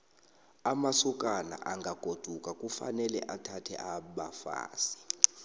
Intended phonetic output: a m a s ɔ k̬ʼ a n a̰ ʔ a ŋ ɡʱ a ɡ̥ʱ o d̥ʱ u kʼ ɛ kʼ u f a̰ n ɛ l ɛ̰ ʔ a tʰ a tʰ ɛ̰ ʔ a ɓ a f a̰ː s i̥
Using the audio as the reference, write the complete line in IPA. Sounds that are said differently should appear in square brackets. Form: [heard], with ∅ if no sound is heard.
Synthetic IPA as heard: a m a s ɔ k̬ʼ a n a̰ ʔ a ŋ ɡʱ a ɡ̥ʱ o d̥ʱ u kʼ [a] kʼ u f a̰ n ɛ l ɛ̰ ʔ a tʰ a tʰ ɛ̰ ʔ a ɓ a f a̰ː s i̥